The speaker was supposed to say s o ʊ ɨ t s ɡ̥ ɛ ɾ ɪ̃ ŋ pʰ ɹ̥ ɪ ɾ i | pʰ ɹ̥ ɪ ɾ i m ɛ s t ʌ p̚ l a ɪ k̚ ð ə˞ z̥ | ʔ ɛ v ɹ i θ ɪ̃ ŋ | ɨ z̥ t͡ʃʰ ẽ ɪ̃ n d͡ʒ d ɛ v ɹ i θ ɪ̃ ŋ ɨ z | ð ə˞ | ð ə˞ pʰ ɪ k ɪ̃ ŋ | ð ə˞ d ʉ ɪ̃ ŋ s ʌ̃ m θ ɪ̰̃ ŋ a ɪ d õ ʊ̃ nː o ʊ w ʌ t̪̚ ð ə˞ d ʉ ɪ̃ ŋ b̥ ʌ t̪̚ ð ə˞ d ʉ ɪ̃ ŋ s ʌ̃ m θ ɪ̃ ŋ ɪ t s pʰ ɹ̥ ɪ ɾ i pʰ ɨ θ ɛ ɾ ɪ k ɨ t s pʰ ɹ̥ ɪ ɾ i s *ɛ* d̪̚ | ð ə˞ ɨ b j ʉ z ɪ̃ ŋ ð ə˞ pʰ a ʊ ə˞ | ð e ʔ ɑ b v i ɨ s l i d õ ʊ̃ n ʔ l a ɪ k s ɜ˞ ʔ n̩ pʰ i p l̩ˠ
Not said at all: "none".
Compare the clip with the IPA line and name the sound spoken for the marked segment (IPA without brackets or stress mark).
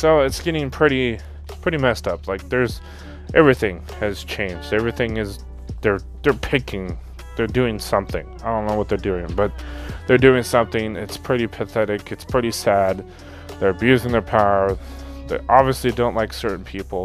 æ